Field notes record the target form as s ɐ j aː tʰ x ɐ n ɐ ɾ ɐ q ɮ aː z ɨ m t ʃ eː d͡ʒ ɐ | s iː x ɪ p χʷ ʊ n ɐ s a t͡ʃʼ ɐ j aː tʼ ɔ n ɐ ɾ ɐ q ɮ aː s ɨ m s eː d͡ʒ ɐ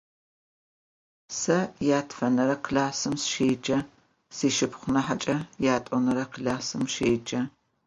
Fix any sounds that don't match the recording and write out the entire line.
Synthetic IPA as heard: s ɐ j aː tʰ f ɐ n ɐ ɾ ɐ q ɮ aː s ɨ m s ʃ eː d͡ʒ ɐ | s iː ʃ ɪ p χʷ ʊ n ɐ ħ a t͡ʃʼ ɐ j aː tʼ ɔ n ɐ ɾ ɐ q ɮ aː s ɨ m ʃ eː d͡ʒ ɐ